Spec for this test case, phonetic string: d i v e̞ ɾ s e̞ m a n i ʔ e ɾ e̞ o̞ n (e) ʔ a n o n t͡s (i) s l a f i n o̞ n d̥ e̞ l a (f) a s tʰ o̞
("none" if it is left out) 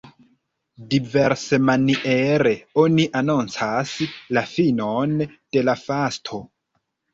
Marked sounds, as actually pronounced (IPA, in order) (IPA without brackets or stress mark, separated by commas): i, a, f